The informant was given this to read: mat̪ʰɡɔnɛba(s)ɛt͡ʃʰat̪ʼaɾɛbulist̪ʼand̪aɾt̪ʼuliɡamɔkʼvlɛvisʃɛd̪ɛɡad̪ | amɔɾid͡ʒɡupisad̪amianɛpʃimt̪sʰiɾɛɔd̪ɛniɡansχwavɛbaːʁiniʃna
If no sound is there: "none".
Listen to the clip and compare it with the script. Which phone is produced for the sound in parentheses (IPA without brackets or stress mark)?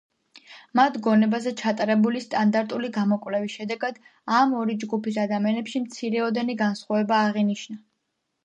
z